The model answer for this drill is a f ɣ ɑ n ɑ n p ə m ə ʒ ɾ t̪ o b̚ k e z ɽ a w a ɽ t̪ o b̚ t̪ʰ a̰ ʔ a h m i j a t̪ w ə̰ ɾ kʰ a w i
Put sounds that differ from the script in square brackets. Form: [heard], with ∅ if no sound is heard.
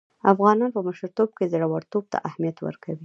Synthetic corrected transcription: a f ɣ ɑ n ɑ n p ə m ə [ʃ] ɾ t̪ o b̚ k e z ɽ a w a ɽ t̪ o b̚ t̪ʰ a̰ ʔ a h m i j a t̪ w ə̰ ɾ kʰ a w i